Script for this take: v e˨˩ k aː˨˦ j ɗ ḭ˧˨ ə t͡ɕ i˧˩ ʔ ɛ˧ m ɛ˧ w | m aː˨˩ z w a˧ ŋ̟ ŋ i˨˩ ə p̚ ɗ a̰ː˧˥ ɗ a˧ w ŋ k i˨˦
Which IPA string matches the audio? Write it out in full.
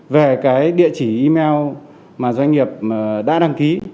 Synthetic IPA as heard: v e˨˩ k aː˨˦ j ɗ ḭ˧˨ ə t͡ɕ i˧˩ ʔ i˧ m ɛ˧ w | m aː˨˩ z w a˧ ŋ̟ ŋ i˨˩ ə p̚ ɗ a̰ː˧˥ ɗ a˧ ŋ k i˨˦